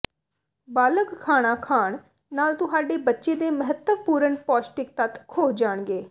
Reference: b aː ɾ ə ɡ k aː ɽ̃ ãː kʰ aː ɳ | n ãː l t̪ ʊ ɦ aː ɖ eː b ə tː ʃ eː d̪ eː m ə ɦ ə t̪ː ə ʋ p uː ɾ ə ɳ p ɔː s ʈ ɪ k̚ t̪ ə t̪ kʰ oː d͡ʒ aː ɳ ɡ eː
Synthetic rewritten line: b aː l ə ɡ kʰ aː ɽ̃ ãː kʰ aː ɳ | n aː l t̪ ʊ ɦ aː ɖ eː b ə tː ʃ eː d̪ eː m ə ɦ ə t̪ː ə ʋ p uː ɾ ə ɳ p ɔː s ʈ ɪ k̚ t̪ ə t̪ kʰ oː d͡ʒ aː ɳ ɡ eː